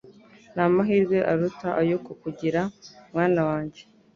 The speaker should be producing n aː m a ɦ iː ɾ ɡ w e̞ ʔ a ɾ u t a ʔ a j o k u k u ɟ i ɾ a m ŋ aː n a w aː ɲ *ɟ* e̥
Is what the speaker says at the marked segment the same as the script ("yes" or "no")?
yes